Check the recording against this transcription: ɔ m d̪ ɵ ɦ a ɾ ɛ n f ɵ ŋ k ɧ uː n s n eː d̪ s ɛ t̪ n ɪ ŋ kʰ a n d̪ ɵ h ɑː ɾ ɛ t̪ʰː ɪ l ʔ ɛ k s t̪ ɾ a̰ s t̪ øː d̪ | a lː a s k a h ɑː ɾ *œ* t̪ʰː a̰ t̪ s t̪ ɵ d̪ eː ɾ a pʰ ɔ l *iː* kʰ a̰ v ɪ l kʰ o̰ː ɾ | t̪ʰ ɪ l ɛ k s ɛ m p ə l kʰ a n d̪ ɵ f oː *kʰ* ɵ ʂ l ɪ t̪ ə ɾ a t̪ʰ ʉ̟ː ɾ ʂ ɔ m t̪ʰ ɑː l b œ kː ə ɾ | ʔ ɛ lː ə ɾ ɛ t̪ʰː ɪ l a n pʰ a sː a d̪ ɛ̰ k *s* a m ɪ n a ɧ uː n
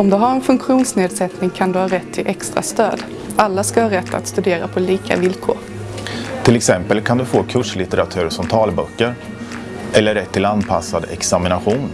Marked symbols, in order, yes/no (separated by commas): no, yes, yes, yes